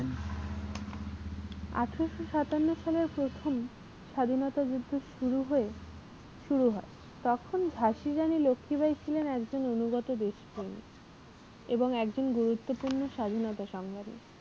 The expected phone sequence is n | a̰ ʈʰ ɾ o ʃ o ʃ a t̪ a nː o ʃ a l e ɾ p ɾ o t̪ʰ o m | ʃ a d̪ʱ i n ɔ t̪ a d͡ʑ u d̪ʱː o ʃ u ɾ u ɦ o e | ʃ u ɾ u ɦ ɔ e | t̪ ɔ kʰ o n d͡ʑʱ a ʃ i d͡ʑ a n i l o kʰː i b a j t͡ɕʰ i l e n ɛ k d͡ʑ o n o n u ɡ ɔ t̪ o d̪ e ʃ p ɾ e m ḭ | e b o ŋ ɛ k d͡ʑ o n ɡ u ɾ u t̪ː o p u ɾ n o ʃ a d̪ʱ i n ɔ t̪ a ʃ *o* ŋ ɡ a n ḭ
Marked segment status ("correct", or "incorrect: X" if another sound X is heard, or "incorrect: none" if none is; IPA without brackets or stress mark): incorrect: ɔ